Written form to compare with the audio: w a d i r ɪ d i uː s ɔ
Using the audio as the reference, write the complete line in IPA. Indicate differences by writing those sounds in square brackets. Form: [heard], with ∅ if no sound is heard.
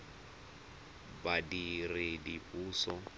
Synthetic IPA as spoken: [b] a d i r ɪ d i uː s ɔ